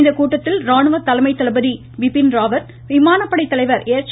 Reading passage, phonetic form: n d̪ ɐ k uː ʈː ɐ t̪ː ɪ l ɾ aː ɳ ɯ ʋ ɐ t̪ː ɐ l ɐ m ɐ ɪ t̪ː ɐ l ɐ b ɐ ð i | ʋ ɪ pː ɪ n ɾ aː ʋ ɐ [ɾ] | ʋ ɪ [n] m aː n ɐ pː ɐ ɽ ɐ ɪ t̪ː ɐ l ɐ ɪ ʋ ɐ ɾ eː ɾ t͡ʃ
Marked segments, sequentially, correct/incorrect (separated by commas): correct, incorrect